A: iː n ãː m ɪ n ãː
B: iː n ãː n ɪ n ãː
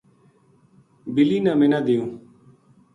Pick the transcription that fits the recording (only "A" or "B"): A